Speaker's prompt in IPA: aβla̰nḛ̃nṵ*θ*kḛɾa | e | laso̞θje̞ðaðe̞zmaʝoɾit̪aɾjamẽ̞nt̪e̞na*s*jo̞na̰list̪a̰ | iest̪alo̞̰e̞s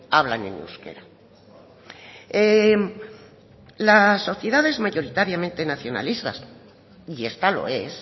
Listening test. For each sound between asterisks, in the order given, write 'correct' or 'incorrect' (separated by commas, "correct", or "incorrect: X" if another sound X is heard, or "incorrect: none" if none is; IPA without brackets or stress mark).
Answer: incorrect: s, incorrect: θ